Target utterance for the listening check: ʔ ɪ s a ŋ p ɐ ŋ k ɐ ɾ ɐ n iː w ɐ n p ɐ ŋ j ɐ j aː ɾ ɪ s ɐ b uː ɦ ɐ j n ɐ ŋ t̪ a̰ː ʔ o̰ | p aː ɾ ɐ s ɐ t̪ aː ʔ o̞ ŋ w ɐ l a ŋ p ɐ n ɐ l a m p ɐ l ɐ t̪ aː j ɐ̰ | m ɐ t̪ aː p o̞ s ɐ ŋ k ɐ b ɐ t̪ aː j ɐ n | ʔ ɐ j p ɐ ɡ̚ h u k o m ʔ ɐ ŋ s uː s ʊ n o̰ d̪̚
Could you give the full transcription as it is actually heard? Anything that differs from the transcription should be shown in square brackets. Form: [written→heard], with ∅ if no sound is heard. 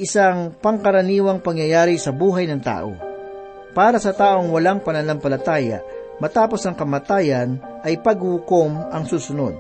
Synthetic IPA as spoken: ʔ ɪ s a ŋ p ɐ ŋ k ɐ ɾ ɐ n iː w ɐ [n→ŋ] p ɐ ŋ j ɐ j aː ɾ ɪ s ɐ b uː ɦ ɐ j n ɐ ŋ t̪ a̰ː ʔ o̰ | p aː ɾ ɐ s ɐ t̪ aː ʔ o̞ ŋ w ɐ l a ŋ p ɐ n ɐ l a m p ɐ l ɐ t̪ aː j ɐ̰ | m ɐ t̪ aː p o̞ s ɐ ŋ k ɐ [b→m] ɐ t̪ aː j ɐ n | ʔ ɐ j p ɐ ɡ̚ h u k o m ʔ ɐ ŋ s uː s ʊ n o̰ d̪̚